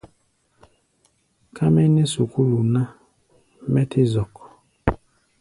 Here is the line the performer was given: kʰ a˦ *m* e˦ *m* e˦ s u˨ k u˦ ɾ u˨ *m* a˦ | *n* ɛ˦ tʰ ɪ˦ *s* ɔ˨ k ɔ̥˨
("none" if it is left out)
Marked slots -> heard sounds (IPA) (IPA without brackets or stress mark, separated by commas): m, n, n, m, z